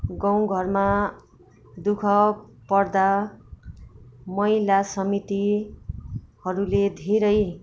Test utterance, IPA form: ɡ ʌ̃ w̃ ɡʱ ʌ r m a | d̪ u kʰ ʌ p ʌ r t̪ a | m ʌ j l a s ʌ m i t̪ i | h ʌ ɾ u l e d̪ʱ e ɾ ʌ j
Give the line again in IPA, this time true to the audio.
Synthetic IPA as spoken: ɡ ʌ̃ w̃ ɡʱ ʌ r m a | d̪ u kʰ ʌ p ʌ r d̪ a | m ʌ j l a s ʌ m i t̪ i | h ʌ ɾ u l e d̪ʱ e ɾ ʌ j